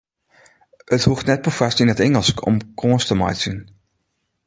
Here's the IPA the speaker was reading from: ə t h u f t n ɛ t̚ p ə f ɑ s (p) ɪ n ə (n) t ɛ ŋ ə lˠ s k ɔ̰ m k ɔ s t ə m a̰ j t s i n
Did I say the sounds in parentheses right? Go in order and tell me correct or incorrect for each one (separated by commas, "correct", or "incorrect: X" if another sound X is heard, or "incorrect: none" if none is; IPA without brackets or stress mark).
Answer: incorrect: t, incorrect: none